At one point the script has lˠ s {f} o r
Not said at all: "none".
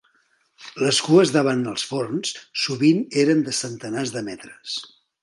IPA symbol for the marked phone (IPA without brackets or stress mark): f